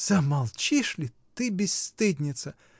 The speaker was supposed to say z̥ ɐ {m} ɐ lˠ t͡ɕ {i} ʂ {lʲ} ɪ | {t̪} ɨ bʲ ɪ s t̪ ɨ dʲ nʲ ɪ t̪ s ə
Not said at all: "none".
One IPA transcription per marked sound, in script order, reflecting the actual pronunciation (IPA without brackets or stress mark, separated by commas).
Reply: m, i, lʲ, t̪